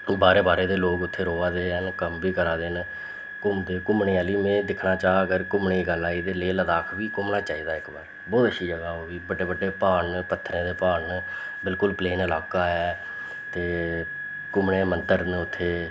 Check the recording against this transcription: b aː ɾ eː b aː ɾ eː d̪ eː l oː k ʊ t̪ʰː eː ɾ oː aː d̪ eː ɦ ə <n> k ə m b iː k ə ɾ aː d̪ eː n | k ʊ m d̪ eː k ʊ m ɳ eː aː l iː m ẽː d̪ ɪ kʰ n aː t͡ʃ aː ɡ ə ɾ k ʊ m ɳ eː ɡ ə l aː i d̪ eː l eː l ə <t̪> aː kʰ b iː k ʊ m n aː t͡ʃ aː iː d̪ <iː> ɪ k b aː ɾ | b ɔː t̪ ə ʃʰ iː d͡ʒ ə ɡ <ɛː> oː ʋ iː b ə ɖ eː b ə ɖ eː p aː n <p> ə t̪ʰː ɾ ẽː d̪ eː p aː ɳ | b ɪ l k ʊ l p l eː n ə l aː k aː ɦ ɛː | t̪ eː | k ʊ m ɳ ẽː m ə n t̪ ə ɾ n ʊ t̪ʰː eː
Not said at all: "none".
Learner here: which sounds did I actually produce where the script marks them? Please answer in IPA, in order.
n, d̪, aː, aː, p

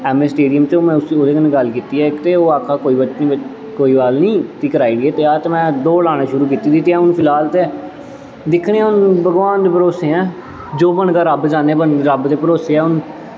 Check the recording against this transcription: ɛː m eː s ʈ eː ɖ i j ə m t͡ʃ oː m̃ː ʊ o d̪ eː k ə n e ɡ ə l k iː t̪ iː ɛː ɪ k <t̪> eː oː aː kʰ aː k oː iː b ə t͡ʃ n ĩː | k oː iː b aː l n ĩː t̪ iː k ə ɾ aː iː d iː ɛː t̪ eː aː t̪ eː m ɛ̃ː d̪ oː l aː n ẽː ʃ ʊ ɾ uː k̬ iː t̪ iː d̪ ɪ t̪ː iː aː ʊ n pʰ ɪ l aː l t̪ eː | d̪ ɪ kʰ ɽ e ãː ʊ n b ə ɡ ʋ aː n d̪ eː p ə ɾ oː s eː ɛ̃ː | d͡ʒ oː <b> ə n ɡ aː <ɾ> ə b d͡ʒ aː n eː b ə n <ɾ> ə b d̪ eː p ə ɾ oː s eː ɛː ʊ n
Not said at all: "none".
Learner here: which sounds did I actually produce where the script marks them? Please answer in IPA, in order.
t̪, b, ɾ, ɾ

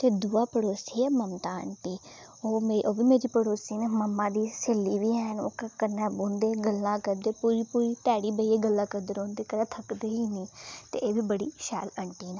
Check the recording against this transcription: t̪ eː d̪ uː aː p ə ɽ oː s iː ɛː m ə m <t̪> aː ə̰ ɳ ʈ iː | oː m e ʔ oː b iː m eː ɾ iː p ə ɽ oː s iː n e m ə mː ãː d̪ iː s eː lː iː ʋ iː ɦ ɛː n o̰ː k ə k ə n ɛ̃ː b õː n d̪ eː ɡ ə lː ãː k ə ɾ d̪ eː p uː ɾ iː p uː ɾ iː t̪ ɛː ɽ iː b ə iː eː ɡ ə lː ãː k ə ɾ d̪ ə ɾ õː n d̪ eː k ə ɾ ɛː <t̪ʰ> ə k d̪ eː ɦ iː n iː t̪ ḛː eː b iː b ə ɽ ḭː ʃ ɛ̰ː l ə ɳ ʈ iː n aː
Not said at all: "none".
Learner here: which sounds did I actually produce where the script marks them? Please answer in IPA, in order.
t̪, t̪ʰ

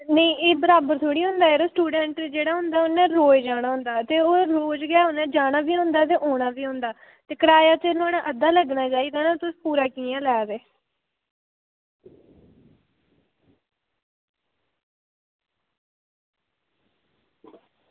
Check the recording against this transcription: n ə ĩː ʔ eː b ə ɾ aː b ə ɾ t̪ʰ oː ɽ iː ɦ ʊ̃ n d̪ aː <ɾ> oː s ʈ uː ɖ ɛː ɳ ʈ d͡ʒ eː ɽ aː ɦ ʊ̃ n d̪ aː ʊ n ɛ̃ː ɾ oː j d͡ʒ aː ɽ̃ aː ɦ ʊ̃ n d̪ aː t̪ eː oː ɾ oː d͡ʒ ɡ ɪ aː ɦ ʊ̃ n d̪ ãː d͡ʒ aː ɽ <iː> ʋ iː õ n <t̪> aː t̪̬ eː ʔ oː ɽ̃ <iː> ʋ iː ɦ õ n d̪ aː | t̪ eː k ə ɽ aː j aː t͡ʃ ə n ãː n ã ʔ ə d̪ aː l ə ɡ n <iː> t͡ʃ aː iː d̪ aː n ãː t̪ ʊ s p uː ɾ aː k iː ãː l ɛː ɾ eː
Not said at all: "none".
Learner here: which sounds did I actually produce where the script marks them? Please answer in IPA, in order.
ɾ, aː, d̪, aː, aː

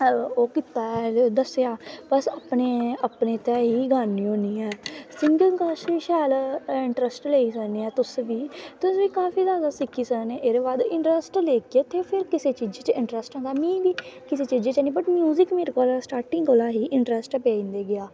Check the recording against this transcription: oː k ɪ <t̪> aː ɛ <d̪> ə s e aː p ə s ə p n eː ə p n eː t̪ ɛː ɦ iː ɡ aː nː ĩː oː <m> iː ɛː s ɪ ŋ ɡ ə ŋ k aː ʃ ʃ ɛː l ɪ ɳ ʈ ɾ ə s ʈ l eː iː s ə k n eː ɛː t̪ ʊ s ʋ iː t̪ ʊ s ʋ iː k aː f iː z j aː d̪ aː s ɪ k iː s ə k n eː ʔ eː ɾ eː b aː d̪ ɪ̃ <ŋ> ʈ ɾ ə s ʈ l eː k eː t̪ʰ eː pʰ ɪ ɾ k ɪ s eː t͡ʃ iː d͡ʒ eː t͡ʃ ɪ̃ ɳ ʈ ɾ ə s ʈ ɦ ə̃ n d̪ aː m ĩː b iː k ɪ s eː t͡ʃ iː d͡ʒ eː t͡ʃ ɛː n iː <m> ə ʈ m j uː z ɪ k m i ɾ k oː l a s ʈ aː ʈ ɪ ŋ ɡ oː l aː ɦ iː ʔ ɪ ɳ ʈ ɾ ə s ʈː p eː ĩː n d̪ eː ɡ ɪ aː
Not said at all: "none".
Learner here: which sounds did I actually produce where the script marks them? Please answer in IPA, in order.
t̪, d̪, n, ɳ, b

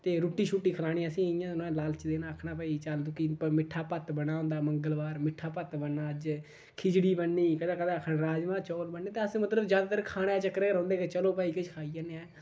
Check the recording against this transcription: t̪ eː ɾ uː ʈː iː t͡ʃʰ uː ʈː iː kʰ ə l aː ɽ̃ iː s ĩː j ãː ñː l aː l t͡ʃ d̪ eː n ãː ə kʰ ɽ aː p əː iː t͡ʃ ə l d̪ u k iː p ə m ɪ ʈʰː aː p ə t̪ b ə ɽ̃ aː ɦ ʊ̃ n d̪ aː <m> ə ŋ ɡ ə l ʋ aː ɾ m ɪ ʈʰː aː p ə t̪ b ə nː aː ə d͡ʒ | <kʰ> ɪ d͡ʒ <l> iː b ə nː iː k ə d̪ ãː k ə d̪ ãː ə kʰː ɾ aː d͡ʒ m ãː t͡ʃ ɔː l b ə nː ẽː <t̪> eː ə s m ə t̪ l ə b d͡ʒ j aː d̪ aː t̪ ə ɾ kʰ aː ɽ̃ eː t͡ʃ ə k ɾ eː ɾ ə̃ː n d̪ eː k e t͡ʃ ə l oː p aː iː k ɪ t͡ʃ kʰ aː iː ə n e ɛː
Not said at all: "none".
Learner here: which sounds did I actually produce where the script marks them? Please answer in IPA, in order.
m, kʰ, ɽ, t̪

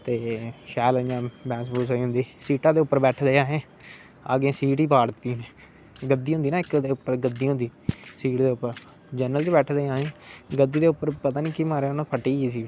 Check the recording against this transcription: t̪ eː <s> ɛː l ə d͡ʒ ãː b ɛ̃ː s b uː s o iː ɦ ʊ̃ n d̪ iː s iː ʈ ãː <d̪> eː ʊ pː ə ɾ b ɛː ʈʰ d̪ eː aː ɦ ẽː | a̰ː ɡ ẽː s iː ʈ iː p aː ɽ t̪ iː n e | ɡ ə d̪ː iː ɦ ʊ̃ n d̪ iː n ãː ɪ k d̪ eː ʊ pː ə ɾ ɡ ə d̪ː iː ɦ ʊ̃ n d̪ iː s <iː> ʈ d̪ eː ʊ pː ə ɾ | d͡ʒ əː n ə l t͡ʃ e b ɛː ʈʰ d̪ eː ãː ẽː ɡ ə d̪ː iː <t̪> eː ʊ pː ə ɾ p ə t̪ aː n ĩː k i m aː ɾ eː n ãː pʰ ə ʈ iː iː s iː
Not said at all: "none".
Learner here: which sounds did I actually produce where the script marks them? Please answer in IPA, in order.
ʃ, d̪, iː, d̪

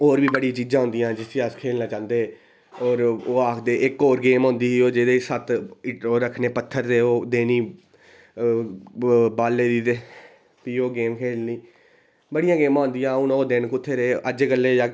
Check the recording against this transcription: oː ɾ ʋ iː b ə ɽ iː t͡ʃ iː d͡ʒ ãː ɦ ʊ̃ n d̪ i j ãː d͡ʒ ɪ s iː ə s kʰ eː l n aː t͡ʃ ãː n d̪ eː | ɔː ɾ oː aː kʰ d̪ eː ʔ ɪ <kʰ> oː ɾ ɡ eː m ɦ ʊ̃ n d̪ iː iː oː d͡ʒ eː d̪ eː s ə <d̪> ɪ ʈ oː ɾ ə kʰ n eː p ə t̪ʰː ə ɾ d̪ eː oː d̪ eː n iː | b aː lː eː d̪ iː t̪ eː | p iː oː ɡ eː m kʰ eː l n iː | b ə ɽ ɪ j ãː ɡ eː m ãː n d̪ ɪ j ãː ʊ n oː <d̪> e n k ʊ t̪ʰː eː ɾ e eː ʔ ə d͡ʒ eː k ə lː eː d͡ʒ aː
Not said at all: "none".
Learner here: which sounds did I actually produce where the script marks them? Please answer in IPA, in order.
k, t̪, d̪

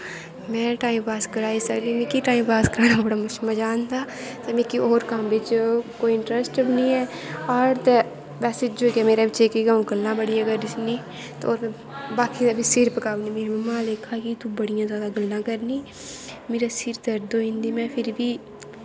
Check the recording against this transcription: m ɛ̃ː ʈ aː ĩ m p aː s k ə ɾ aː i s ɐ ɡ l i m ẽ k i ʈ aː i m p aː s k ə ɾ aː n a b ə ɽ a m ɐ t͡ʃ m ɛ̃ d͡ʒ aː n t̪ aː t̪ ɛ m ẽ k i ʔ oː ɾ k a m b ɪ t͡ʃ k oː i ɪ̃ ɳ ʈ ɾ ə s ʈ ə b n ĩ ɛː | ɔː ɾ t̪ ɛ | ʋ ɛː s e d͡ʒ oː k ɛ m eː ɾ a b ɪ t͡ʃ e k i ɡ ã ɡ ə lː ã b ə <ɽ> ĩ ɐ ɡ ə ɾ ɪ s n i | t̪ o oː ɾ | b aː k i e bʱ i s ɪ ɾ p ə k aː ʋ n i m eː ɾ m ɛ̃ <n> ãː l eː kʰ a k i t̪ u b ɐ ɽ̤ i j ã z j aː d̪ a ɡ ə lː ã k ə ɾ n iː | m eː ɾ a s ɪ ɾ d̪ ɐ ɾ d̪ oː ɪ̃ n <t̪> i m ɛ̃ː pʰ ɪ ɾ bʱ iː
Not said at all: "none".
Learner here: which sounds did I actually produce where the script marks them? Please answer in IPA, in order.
ɽ, m, d̪

